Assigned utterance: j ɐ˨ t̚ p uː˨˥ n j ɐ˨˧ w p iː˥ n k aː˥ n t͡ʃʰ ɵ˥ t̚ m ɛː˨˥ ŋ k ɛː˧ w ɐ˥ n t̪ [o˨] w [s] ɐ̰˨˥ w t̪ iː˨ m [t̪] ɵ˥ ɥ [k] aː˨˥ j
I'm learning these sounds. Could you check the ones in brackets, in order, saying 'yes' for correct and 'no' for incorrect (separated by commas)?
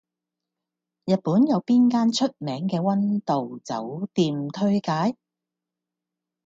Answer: yes, no, no, yes